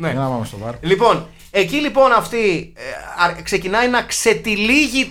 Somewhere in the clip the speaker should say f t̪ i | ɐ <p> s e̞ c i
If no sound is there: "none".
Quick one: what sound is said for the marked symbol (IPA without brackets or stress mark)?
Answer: k